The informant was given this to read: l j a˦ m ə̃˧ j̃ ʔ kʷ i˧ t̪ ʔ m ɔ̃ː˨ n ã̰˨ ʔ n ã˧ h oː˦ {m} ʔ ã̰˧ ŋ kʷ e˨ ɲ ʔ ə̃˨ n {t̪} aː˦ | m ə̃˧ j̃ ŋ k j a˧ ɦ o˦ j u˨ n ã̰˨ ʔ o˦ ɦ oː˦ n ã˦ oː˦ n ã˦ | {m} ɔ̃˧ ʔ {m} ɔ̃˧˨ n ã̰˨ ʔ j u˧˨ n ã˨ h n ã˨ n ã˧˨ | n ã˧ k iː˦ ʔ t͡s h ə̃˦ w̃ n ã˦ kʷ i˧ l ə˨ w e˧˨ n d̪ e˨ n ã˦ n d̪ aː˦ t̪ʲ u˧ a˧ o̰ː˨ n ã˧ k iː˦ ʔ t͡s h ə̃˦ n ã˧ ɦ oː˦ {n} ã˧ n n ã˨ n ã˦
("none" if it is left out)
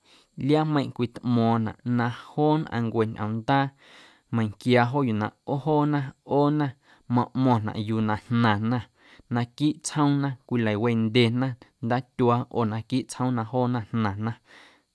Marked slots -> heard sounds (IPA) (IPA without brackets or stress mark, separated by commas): n, d̪, m, m, n